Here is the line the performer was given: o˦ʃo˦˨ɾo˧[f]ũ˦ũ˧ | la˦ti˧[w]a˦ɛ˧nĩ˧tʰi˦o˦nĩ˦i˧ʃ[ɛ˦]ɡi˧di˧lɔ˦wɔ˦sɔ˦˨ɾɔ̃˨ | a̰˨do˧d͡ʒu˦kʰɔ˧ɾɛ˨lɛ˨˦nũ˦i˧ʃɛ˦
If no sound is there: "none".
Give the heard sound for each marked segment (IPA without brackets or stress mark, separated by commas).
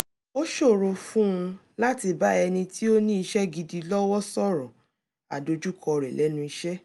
f, b, ɛ˦